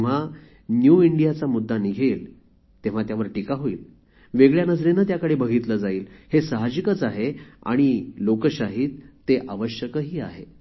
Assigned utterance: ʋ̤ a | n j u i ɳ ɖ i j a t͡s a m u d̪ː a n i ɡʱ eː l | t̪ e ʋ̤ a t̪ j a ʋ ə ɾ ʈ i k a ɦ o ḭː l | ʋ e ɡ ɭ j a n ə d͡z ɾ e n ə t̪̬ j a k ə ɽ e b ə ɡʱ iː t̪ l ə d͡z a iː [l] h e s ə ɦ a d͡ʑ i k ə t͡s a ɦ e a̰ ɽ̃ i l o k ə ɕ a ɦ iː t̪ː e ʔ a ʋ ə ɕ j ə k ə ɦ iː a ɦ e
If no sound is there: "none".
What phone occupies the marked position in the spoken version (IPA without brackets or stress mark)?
l